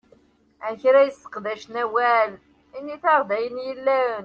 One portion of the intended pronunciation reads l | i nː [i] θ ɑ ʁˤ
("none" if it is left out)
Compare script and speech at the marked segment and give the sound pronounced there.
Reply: i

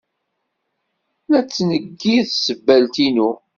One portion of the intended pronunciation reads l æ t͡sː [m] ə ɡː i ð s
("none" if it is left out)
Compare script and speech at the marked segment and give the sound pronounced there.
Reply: n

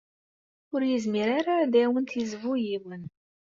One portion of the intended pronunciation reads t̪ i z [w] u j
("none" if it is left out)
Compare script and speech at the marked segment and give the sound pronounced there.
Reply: v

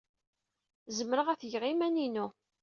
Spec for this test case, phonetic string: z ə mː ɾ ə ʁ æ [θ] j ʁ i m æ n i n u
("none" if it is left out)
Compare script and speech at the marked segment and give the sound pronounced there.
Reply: θ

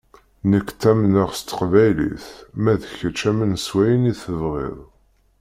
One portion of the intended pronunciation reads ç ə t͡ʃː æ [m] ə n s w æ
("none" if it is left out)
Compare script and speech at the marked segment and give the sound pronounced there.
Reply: m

